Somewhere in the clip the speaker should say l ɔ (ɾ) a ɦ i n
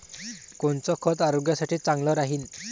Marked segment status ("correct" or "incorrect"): correct